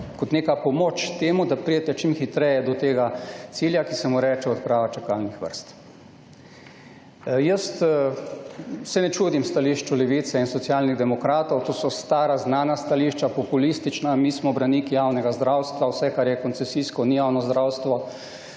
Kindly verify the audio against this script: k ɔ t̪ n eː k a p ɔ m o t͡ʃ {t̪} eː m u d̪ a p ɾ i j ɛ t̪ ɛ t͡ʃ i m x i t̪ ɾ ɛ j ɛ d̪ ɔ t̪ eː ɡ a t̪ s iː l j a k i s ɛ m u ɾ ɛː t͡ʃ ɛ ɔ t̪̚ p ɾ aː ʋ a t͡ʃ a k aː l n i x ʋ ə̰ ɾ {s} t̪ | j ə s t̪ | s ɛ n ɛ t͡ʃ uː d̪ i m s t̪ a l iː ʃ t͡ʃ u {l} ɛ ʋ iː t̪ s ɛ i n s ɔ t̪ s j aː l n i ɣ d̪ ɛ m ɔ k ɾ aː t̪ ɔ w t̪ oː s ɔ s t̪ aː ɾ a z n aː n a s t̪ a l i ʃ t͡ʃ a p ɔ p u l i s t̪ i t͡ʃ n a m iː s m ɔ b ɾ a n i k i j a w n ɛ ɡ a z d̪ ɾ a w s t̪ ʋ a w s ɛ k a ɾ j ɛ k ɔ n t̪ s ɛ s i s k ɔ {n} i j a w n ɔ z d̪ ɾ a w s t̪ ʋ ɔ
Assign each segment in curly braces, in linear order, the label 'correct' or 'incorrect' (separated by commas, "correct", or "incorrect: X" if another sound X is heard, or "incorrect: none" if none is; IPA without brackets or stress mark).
correct, correct, correct, correct